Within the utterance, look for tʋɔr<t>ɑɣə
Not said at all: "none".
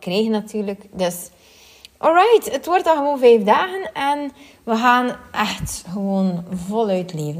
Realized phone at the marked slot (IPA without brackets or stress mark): t